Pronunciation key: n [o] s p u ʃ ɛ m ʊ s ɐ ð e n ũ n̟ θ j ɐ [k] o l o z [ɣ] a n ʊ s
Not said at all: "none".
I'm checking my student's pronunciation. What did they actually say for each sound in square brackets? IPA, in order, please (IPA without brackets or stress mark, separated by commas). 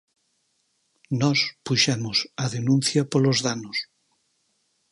ɔ, p, ð